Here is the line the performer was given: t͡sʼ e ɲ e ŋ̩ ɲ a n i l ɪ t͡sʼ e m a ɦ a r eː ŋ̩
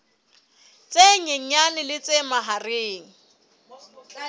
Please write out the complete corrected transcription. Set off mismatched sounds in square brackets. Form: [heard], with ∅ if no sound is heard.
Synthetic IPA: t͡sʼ e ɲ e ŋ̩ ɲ a n [ɪ] l ɪ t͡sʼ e m a ɦ a r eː ŋ̩